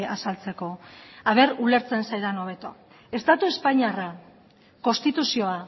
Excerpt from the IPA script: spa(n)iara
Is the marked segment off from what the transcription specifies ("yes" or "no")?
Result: yes